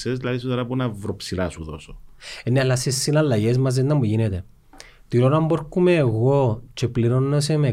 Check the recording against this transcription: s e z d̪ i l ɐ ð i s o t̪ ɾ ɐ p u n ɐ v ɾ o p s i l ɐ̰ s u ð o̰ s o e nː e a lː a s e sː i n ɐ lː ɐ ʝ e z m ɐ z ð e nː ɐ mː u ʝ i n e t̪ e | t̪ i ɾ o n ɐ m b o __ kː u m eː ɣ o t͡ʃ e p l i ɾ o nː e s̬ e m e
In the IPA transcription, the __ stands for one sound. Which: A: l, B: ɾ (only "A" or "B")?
B